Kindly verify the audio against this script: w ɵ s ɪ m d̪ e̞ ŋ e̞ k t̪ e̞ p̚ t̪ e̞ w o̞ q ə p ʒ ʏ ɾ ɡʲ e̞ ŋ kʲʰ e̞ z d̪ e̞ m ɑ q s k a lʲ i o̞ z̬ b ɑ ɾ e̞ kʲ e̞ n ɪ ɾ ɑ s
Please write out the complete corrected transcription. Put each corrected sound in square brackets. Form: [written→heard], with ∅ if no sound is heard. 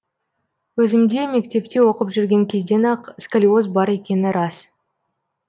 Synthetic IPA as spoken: w ɵ [s→z] ɪ m d̪ e̞ [ŋ→m] e̞ k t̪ e̞ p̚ t̪ e̞ w o̞ q ə p ʒ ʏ ɾ ɡʲ e̞ ŋ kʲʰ e̞ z d̪ e̞ [m→n] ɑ q s k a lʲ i o̞ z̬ b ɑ ɾ e̞ kʲ e̞ n ɪ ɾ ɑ s